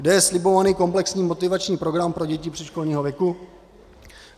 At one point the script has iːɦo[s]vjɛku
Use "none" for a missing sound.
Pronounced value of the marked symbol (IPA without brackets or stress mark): none